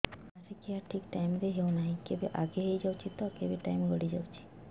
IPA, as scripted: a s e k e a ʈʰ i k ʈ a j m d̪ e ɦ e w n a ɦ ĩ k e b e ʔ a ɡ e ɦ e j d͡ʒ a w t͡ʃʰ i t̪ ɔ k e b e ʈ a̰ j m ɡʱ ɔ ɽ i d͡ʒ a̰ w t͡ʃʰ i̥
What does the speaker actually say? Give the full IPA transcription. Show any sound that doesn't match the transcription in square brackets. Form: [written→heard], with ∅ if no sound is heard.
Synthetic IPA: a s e k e a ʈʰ i k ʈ a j m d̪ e ɦ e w n a ɦ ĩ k e b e ʔ a ɡ e ɦ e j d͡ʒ a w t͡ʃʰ i t̪ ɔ k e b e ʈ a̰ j m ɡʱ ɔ ɽ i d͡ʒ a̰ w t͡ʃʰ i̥